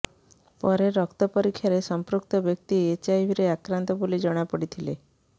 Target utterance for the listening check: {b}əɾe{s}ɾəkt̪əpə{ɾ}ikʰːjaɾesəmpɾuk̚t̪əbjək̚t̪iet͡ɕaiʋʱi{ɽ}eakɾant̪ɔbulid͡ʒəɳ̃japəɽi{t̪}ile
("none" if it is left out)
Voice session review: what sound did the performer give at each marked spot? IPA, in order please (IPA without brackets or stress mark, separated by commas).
p, none, ɾ, ɾ, t̪ʰ